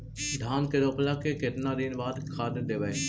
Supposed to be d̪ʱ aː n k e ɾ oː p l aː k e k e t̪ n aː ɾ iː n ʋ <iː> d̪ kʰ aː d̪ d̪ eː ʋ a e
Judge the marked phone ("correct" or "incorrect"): incorrect